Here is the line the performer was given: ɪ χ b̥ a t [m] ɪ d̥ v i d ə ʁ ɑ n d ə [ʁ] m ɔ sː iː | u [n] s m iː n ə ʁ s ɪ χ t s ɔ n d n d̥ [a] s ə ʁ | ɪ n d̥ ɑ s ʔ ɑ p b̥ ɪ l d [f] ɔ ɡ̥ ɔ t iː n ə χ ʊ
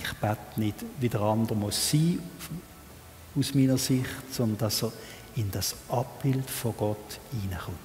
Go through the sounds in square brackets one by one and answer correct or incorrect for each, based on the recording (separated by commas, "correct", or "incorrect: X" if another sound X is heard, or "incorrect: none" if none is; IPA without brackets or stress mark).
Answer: incorrect: n, correct, incorrect: none, incorrect: ɑ, correct